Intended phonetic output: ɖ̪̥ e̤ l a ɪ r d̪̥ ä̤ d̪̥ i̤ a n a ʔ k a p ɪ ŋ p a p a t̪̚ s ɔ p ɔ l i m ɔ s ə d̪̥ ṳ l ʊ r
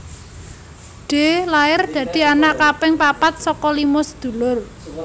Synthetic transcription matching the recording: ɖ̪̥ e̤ l a ɪ r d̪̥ ä̤ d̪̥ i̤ a n a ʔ k a p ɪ ŋ p a p a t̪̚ s ɔ k ɔ l i m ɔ s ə d̪̥ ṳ l ʊ r